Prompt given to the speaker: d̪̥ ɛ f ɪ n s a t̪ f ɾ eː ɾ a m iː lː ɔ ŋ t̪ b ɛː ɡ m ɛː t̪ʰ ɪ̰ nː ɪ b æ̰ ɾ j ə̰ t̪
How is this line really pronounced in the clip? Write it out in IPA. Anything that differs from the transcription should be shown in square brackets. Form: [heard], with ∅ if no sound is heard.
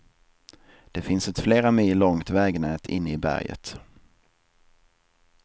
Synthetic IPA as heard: d̪̥ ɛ f ɪ n s [ɛ] t̪ f [l] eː ɾ a m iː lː ɔ ŋ t̪ [v] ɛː ɡ [n] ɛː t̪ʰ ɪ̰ nː ɪ b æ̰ ɾ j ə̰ t̪

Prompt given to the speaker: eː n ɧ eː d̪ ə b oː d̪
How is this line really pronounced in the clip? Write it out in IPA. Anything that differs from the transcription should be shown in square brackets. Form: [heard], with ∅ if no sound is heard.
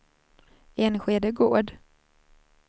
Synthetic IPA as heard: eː n ɧ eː d̪ ə [ɡ] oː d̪

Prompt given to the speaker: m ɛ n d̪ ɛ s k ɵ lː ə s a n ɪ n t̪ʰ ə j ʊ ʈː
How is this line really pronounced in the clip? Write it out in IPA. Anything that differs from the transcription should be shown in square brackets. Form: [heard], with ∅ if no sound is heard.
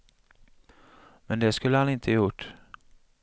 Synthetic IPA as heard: m ɛ n d̪ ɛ s k ɵ lː ə [h] a n ɪ n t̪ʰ ə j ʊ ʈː

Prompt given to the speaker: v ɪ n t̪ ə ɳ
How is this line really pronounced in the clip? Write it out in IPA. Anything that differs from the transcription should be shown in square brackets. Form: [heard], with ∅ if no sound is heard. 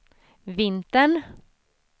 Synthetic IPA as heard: v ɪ n t̪ ə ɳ

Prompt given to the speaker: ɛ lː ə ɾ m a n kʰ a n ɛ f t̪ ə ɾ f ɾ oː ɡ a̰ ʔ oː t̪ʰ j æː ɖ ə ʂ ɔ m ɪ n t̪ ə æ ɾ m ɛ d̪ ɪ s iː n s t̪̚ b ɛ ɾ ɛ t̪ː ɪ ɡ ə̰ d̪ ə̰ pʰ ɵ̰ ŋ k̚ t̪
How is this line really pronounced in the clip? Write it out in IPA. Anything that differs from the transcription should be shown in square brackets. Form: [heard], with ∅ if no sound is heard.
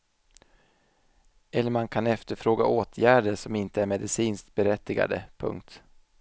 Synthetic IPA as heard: ɛ lː ə ɾ m a n kʰ a n ɛ f t̪ ə ɾ f ɾ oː ɡ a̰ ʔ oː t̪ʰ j æː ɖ ə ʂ ɔ m ɪ n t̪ ə æ ɾ m ɛ d̪ ɪ s iː n s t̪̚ b ɛ ɾ ɛ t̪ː ɪ ɡ [a̰] d̪ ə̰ pʰ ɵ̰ ŋ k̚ t̪

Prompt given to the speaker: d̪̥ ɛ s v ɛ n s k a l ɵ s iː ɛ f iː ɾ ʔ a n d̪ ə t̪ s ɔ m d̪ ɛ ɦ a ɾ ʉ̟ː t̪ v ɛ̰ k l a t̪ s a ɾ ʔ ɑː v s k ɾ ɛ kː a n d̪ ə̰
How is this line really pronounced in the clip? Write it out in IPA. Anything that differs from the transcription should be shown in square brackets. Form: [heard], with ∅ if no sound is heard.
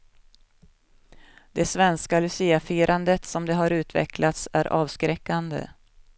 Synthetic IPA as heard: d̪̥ ɛ s v ɛ n s k a l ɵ s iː [a] f iː ɾ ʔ a n d̪ ə t̪ s ɔ m d̪ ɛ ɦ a ɾ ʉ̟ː t̪ v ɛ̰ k l a t̪ s [æ] ɾ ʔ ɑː v s k ɾ ɛ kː a n d̪ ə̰

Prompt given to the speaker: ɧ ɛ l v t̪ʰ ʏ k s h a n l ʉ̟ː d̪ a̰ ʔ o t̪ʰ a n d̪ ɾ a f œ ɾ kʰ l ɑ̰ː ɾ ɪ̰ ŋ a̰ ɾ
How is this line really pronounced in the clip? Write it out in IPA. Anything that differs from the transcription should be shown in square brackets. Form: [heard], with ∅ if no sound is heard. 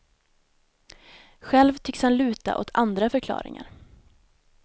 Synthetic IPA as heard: ɧ ɛ l v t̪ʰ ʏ k s h a n l ʉ̟ː [t̪] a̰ ʔ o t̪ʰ a n d̪ ɾ a f œ ɾ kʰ l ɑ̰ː ɾ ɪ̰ ŋ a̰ ɾ

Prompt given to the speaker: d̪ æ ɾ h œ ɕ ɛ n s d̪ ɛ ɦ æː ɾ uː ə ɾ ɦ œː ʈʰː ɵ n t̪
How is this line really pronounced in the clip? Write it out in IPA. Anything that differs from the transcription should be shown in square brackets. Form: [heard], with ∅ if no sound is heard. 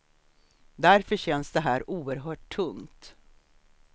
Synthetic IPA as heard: d̪ æ ɾ [f] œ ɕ ɛ n s d̪ ɛ ɦ æː ɾ uː ə ɾ ɦ œː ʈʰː ɵ [ŋ] t̪

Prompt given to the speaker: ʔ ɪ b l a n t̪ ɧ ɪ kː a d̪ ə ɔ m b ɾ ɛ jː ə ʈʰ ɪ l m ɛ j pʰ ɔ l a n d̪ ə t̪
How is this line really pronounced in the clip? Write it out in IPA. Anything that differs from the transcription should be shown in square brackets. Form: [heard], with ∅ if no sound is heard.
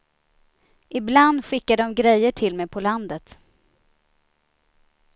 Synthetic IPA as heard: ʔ ɪ b l a n [d̪] ɧ ɪ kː a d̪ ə ɔ m [ɡ] ɾ ɛ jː ə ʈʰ ɪ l m ɛ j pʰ ɔ l a n d̪ ə t̪

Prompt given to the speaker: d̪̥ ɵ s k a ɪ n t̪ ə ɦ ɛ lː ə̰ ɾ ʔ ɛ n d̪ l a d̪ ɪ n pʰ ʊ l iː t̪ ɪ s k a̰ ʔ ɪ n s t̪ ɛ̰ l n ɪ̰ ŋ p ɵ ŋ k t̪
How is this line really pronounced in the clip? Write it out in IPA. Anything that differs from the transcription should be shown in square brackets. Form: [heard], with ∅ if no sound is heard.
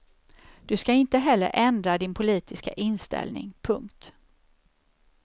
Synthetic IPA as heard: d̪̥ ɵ s k a ɪ n t̪ ə ɦ ɛ lː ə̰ ɾ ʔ ɛ n d̪ [ɾ] a d̪ ɪ n pʰ ʊ l iː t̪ ɪ s k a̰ ʔ ɪ n s t̪ ɛ̰ l n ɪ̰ ŋ [pʰ] ɵ ŋ k t̪

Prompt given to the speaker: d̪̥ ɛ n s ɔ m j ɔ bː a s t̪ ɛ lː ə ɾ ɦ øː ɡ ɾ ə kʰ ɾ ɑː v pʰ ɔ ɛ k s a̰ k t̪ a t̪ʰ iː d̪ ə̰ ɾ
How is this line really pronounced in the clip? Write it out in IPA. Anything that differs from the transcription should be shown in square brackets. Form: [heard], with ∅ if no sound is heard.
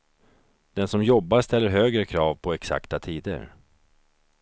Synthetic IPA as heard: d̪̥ ɛ n s ɔ m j ɔ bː a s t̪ ɛ lː ə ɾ ɦ øː ɡ ɾ ə kʰ ɾ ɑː v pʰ ɔ ɛ k s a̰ k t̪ a t̪ʰ iː d̪ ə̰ ɾ

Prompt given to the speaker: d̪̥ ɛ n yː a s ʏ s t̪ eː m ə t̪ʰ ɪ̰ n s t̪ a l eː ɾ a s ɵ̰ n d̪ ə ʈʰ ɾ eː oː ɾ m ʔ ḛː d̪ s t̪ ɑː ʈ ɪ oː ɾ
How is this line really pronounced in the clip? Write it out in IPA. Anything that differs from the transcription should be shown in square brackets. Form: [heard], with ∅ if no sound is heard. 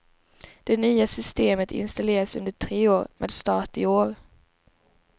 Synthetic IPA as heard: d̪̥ ɛ n yː a s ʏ s t̪ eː m ə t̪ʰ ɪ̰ n s t̪ a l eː ɾ a s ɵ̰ n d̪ ə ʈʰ ɾ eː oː ɾ m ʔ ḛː d̪ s t̪ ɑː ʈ ɪ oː ɾ

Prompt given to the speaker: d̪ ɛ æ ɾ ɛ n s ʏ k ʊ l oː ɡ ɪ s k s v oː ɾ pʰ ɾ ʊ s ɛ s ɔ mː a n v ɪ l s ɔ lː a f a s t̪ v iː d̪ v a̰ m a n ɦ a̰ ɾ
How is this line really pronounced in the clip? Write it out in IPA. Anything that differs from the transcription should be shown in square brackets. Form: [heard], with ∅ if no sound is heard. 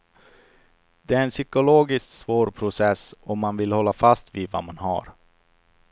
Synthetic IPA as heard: d̪ ɛ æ ɾ ɛ n s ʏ k ʊ l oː ɡ ɪ s k s v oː ɾ pʰ ɾ ʊ s ɛ s ɔ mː a n v ɪ l [h] ɔ lː a f a s t̪ v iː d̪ v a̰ m a n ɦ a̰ ɾ

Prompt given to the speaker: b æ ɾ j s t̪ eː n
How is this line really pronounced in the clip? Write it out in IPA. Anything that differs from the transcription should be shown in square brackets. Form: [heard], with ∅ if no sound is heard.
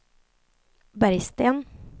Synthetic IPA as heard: b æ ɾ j s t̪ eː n

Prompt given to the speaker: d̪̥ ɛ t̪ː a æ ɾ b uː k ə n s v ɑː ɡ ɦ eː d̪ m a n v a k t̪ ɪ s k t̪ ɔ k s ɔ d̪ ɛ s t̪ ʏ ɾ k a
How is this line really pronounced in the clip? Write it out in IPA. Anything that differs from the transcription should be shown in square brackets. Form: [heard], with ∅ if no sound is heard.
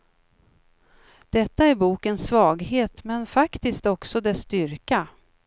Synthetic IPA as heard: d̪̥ ɛ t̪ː a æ ɾ b uː k ə n s v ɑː ɡ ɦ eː [t̪] m [ɛ] n [f] a k t̪ ɪ s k t̪ ɔ k s ɔ d̪ ɛ s t̪ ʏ ɾ k a

